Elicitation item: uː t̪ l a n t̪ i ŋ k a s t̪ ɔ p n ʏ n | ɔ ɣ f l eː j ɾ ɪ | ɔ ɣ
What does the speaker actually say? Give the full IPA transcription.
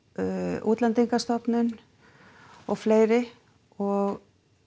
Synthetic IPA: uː t̪ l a n t̪ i ŋ k a s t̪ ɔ p n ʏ n | ɔ ɣ f l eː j ɾ ɪ | ɔ ɣ